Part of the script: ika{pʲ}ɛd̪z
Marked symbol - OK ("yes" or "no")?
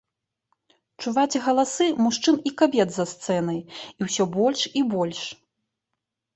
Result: no